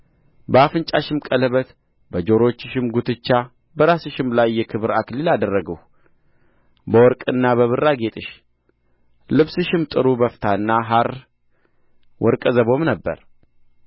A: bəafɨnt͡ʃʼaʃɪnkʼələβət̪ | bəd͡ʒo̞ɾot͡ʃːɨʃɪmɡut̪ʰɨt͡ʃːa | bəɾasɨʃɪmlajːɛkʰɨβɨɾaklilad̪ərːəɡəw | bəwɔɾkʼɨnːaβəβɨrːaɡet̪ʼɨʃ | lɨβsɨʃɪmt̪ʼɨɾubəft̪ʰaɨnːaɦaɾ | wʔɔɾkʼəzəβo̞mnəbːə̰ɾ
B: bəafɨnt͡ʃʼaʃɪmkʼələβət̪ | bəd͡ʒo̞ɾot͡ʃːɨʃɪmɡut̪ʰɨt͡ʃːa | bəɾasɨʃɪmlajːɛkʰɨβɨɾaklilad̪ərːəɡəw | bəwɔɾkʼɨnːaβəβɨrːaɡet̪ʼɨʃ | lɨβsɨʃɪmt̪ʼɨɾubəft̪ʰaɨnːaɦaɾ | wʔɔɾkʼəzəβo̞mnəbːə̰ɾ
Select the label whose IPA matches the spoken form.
B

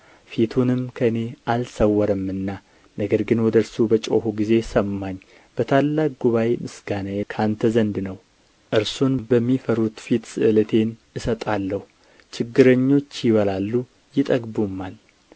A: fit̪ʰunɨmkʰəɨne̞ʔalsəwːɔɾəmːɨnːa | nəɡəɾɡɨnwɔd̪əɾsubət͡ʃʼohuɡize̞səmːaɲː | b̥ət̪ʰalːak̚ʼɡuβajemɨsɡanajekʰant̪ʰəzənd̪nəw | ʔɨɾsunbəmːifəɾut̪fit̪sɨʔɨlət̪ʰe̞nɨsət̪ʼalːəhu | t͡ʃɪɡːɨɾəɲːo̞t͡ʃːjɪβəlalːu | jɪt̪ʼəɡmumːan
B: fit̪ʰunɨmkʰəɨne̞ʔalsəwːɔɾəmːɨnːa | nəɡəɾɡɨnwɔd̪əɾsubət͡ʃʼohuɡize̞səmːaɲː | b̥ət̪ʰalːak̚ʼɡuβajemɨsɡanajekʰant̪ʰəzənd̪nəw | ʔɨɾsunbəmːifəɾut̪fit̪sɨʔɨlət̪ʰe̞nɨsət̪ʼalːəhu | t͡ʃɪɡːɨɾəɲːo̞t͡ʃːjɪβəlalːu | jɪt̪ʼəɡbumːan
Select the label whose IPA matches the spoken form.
B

